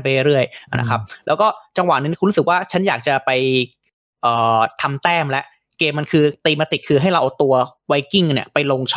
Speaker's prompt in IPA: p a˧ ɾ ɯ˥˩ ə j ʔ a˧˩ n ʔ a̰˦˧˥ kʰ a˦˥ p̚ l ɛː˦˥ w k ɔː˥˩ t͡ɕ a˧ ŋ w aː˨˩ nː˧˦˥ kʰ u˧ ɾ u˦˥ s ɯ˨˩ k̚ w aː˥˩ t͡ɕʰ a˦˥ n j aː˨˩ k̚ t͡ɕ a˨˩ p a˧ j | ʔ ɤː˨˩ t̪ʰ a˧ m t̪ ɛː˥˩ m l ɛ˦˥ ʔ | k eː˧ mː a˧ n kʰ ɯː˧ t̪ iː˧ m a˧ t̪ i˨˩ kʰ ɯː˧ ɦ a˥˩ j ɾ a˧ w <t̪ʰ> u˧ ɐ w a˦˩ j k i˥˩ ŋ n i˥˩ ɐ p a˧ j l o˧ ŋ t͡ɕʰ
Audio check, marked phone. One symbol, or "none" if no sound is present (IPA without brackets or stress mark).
t̪